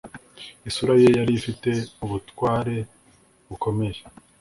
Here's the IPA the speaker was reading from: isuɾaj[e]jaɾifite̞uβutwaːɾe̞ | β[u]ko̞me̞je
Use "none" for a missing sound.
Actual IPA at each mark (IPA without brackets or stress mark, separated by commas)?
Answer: e, u